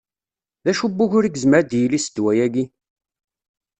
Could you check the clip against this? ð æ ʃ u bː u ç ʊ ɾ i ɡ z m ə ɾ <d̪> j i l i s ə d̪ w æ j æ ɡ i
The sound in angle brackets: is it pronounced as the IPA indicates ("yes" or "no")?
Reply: yes